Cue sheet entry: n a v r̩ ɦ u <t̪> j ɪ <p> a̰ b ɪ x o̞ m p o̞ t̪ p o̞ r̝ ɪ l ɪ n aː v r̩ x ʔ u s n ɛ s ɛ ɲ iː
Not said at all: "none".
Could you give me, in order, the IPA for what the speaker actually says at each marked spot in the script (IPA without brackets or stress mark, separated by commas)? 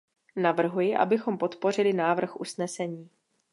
none, ʔ